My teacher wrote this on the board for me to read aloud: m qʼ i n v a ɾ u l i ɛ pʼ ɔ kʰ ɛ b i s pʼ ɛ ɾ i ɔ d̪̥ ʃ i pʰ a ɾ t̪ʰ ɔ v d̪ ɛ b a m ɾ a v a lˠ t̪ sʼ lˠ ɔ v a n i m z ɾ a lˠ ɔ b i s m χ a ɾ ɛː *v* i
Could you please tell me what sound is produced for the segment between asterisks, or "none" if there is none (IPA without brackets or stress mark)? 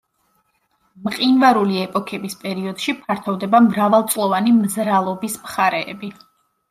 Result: b